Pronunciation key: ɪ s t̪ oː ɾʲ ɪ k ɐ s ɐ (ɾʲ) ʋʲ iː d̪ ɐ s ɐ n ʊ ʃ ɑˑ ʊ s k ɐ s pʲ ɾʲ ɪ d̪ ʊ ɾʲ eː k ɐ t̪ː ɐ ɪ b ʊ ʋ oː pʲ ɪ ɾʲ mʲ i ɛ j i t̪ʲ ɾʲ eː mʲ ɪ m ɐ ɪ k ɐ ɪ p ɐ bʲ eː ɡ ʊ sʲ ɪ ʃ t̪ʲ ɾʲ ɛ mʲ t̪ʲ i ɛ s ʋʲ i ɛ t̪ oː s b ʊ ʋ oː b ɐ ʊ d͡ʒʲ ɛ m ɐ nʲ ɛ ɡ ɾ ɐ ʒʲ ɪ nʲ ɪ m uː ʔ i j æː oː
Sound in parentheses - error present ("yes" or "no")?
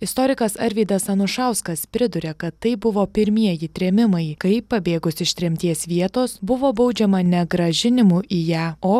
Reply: no